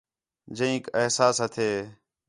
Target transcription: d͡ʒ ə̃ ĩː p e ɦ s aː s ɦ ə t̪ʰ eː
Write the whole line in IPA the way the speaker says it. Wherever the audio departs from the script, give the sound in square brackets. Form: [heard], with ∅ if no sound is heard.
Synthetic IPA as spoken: d͡ʒ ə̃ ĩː [k] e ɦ s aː s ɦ ə t̪ʰ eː